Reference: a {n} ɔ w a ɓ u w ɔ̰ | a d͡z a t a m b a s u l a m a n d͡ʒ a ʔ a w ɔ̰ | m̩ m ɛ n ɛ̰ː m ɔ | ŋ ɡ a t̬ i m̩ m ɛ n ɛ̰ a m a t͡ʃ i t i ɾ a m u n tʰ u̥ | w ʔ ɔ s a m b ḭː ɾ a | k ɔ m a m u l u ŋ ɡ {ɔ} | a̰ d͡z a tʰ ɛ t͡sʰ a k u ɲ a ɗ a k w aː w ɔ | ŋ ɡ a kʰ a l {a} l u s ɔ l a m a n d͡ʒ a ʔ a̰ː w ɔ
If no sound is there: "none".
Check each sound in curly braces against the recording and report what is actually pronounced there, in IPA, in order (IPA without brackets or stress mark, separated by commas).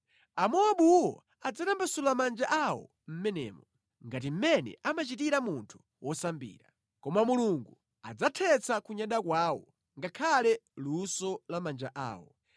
m, u, ɛ